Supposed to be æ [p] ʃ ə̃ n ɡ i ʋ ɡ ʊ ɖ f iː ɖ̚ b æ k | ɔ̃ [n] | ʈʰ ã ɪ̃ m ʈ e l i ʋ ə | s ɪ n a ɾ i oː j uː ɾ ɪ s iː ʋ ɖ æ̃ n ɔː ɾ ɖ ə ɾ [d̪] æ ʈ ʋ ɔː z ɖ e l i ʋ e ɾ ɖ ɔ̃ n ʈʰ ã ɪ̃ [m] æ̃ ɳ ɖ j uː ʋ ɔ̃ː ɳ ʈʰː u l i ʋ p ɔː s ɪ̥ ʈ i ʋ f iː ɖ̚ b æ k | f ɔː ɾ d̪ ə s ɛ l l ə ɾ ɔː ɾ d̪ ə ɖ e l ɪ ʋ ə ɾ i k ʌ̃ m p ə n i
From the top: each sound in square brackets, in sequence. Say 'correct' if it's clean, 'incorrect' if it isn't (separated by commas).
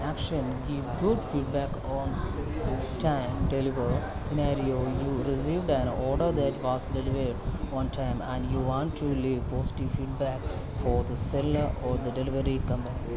incorrect, correct, correct, correct